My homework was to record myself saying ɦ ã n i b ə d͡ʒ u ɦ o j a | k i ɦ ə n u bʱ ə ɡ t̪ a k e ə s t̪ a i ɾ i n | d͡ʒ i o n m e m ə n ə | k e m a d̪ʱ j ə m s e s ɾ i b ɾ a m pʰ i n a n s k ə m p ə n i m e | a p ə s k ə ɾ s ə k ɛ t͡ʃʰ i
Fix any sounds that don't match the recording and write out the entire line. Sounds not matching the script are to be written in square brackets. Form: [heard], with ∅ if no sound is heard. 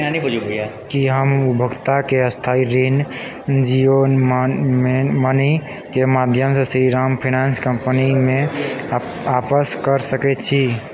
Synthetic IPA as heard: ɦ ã n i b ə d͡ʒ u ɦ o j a | k i ɦ ə [m] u bʱ ə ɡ t̪ a k e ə s [t̪ʰ] a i ɾ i n | d͡ʒ i o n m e m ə n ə | k e m a d̪ʱ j ə m s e s ɾ i [∅] ɾ a m pʰ i n a n s k ə m p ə n i m e | a p ə s k ə ɾ s ə k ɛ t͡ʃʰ i